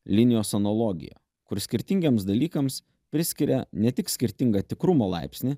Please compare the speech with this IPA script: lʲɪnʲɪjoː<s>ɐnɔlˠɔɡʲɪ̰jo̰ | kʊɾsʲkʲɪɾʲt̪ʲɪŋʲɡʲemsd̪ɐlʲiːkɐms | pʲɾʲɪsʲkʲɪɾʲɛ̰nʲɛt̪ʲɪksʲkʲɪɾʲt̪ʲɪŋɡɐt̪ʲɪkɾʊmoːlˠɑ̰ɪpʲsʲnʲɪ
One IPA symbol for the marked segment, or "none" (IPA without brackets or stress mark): s